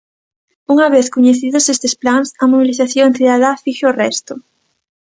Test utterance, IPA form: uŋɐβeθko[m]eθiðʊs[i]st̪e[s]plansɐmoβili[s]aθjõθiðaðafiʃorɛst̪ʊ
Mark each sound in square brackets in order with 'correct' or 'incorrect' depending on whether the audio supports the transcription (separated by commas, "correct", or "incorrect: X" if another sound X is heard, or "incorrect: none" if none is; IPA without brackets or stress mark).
incorrect: ɲ, incorrect: e, correct, incorrect: θ